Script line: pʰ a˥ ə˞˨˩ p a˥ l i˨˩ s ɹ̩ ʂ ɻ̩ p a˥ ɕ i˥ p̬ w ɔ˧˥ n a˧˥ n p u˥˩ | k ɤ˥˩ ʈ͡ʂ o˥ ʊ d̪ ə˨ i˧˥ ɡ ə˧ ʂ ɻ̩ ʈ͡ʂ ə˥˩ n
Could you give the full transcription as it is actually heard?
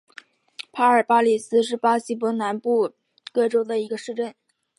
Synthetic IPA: pʰ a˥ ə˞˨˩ p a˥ l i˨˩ s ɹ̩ ʂ ɻ̩ p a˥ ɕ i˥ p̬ w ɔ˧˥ n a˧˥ n p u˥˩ | k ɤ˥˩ ʈ͡ʂ o˥ ʊ d̪ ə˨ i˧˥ ɡ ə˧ ʂ ɻ̩ ʈ͡ʂ ə˥˩ n